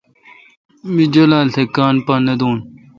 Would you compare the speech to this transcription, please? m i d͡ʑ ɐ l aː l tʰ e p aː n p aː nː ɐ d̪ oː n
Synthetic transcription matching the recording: m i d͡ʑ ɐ l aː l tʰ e k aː n p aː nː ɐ d̪ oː n